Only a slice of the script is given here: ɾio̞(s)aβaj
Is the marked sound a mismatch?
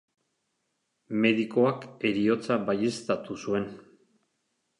yes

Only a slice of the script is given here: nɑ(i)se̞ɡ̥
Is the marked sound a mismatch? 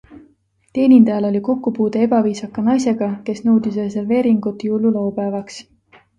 yes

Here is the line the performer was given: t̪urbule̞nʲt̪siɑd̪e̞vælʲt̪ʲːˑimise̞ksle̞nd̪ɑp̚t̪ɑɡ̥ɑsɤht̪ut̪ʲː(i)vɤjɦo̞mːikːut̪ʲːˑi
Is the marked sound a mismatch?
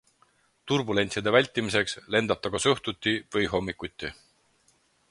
no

